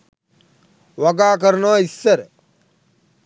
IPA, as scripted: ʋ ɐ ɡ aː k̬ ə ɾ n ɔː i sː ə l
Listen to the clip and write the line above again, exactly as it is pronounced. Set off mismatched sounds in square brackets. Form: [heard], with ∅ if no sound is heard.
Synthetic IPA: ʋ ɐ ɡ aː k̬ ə ɾ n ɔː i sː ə [ɾ]